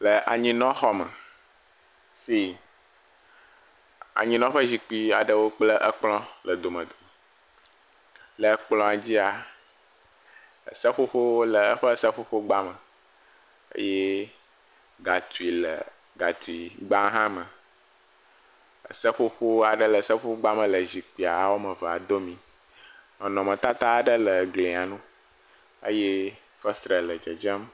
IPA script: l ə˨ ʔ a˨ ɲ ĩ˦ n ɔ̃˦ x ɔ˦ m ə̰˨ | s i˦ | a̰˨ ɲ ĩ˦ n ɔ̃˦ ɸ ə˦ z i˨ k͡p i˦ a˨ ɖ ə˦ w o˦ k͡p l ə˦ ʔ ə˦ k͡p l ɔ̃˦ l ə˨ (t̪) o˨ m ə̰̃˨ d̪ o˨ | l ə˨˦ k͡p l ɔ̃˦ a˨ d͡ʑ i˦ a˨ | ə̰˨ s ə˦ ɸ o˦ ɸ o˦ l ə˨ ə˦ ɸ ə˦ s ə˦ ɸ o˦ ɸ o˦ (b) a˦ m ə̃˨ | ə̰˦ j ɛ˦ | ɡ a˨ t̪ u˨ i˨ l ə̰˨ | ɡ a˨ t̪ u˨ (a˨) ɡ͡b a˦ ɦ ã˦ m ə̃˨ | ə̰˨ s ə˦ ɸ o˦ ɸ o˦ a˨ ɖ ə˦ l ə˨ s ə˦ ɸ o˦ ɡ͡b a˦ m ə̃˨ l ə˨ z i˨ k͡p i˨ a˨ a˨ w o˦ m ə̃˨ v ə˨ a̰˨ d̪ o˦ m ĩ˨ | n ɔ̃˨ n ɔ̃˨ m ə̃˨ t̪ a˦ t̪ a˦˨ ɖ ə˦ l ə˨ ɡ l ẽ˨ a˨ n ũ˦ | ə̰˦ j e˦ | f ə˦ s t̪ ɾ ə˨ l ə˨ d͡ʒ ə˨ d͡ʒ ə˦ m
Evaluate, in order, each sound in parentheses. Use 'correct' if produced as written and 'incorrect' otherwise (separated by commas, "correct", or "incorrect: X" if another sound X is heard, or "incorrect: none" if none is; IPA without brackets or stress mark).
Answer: incorrect: d̪, incorrect: ɡ͡b, incorrect: i˨